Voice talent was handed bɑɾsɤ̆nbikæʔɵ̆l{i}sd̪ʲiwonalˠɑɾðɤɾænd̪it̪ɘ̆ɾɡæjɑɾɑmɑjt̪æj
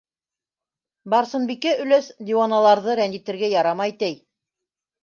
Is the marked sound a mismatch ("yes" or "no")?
yes